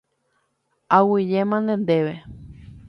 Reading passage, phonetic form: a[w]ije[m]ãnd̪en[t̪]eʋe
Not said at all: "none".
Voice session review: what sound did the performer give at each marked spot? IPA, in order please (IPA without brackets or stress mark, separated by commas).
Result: w, m, d̪